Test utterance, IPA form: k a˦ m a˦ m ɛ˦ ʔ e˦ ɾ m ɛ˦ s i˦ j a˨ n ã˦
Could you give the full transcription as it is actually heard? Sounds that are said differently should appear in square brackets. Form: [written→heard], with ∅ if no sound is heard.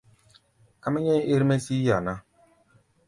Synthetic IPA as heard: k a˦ m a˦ [m→ɲ] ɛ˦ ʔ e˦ ɾ m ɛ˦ s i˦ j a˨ n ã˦